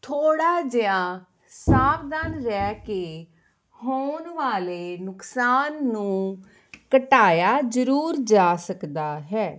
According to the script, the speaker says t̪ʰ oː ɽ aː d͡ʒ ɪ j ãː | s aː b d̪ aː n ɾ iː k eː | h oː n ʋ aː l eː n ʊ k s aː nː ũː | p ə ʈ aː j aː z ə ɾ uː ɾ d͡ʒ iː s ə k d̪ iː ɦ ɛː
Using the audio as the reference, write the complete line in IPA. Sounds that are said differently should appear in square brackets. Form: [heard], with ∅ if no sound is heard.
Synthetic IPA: t̪ʰ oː ɽ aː d͡ʒ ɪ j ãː | s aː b d̪ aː n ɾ [ɛː] k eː | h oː n ʋ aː l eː n ʊ k s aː nː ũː | [k] ə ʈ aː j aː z ə ɾ uː ɾ d͡ʒ [aː] s ə k d̪ [aː] ɦ ɛː